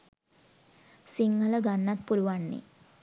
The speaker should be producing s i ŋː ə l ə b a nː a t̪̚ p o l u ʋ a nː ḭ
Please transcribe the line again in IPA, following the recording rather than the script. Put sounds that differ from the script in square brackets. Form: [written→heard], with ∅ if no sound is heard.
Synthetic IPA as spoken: s i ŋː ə l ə [b→ɡ] a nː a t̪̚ p [o→u] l u ʋ a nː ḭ